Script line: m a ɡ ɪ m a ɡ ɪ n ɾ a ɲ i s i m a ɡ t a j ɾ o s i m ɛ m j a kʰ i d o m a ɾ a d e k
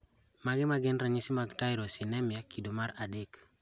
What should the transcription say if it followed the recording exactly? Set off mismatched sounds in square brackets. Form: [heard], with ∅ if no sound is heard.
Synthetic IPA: m a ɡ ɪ m a ɡ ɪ n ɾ a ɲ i s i m a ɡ t a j ɾ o s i [n] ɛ m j a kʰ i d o m a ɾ a d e k